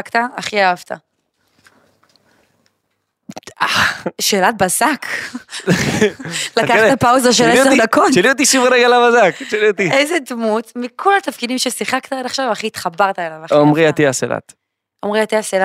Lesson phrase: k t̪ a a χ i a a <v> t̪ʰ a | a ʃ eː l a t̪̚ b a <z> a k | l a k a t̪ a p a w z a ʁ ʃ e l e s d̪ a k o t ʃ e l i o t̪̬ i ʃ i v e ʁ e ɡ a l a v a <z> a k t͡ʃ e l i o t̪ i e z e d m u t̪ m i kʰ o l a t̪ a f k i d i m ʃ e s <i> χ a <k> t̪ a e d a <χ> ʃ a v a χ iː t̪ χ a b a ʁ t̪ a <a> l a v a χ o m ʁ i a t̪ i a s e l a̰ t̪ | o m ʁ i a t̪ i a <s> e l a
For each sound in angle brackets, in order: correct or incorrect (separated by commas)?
correct, correct, correct, correct, correct, correct, incorrect, correct